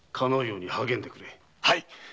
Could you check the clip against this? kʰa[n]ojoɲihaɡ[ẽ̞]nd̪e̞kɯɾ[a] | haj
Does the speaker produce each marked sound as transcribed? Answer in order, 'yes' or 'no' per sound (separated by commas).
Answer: yes, no, no